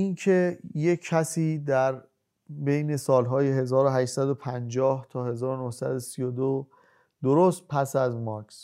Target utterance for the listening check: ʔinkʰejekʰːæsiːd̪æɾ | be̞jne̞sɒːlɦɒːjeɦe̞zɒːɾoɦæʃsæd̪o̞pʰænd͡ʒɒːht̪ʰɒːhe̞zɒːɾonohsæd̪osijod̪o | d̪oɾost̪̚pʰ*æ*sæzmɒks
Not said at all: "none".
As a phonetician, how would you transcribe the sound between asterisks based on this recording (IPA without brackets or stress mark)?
æ